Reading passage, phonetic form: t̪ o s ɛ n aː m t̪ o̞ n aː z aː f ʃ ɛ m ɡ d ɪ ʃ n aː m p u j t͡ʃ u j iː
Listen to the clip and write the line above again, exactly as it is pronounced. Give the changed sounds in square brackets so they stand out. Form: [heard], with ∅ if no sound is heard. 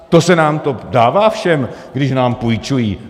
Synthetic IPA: t̪ o s ɛ n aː m t̪ o̞ [d] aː [v] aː f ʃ ɛ m ɡ d ɪ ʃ n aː m p u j t͡ʃ u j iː